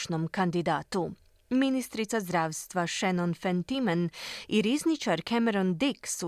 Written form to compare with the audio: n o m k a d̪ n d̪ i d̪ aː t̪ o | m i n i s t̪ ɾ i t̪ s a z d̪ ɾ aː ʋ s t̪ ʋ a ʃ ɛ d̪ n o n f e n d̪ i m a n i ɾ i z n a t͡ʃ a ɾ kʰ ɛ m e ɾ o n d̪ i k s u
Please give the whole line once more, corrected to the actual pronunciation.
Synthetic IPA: n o m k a n d̪ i d̪ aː t̪ u | m i n i s t̪ ɾ i t̪ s a z d̪ ɾ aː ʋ s t̪ ʋ a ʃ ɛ n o n f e n t̪ i m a n i ɾ i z n i t͡ʃ a ɾ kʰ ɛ m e ɾ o n d̪ i k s u